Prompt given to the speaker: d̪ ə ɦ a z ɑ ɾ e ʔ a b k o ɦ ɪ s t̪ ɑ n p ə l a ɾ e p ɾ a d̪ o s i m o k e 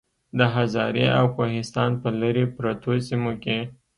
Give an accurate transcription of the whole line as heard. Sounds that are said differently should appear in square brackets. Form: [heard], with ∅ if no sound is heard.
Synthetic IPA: d̪ ə ɦ a z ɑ ɾ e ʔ a [w] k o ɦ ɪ s t̪ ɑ n p ə l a ɾ e p ɾ a [t̪] o s i m o k e